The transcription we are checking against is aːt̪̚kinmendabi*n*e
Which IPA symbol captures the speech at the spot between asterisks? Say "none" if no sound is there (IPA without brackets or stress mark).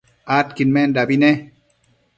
n